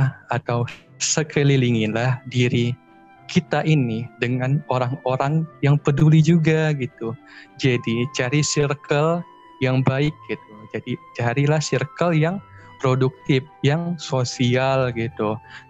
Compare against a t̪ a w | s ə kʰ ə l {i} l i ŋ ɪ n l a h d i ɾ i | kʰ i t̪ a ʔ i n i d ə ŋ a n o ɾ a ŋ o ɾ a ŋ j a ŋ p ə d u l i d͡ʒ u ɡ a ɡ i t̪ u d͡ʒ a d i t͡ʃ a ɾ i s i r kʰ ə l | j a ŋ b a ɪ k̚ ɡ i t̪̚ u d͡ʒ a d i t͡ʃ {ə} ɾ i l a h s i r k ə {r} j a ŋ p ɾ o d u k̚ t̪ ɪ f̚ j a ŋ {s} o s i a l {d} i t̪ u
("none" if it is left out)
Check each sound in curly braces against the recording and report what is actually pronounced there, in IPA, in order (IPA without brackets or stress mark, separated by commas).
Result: i, a, l, s, ɡ